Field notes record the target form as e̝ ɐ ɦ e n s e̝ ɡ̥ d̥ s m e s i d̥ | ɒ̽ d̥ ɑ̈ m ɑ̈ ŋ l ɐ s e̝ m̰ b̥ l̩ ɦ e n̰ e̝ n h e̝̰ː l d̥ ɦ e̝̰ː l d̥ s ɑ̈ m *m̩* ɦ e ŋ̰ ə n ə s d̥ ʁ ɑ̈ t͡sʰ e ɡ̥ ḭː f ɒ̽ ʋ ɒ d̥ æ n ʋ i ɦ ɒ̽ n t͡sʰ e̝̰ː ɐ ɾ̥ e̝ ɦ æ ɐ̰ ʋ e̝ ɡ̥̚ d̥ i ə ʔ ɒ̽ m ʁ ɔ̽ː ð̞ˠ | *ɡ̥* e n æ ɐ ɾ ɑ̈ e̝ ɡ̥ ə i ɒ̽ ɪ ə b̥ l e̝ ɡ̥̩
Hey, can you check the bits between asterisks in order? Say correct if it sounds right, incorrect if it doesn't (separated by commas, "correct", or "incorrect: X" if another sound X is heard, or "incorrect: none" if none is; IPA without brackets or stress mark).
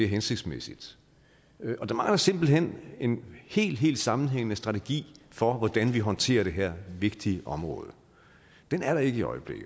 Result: incorrect: n̩, incorrect: d̥